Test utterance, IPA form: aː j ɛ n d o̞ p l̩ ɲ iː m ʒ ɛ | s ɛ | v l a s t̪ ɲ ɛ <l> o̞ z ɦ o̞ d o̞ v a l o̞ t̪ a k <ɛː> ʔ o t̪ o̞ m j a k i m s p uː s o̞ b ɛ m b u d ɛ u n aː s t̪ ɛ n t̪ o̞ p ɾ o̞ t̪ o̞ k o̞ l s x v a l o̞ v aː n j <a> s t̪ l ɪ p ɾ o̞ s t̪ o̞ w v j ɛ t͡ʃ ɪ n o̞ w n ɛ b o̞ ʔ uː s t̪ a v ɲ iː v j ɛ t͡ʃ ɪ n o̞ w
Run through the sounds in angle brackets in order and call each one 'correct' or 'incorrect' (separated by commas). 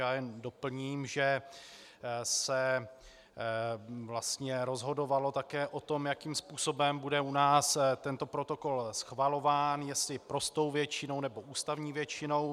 incorrect, correct, incorrect